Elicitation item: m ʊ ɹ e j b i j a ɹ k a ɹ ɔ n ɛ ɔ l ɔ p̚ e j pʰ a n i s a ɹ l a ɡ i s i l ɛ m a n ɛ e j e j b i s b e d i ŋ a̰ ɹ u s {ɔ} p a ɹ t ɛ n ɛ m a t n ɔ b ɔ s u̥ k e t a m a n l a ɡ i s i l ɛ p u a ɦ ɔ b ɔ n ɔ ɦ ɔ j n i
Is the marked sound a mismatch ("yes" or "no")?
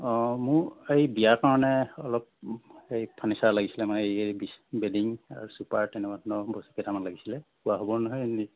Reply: yes